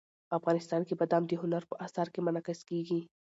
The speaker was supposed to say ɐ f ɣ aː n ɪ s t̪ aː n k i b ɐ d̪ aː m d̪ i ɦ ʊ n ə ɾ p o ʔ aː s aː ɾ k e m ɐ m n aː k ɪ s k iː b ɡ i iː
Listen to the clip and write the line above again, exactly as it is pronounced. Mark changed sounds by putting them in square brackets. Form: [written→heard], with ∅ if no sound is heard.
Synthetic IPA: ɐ f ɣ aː n ɪ s t̪ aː n k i b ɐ d̪ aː m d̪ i ɦ ʊ n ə ɾ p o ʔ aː s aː ɾ k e m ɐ [m→∅] n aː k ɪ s k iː [b→∅] ɡ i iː